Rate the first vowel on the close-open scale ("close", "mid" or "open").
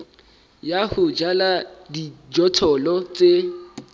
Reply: open